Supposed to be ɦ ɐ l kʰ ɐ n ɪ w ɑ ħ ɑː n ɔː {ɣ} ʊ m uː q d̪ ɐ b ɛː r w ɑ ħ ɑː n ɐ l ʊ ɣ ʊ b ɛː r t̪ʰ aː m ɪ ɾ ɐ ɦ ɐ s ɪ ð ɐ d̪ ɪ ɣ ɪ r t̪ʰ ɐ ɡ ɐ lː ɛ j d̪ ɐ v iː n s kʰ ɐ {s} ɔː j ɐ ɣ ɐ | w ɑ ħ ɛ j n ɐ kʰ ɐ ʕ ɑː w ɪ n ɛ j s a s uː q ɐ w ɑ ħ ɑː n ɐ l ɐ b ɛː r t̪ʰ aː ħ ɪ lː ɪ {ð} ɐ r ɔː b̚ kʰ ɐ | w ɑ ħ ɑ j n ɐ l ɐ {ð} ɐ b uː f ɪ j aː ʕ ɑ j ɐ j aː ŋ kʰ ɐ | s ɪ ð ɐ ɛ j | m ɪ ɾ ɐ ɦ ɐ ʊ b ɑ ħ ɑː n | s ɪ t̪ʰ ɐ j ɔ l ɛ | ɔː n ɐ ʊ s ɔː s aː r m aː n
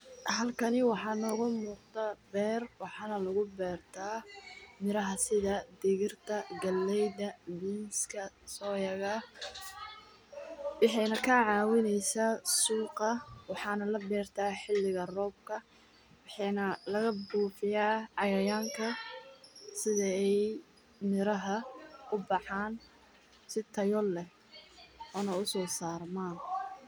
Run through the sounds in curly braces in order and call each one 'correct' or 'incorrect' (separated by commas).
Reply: correct, correct, incorrect, incorrect